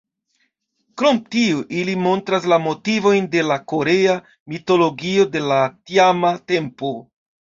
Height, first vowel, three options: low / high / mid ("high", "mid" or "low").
mid